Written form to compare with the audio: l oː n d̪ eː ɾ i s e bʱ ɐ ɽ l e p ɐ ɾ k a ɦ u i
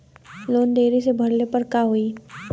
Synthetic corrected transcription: l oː n d̪ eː ɾ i s e bʱ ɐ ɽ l e p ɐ ɾ k a ɦ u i